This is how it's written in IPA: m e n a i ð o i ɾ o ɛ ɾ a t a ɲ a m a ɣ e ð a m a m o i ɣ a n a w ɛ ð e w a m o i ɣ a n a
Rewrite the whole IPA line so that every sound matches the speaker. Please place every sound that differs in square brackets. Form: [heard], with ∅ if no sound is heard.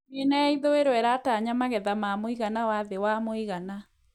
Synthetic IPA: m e n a i ð o [e] ɾ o ɛ ɾ a t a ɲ a m a ɣ [ɛ] ð a m a m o i ɣ a n a w [a] ð e w a m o i ɣ a n a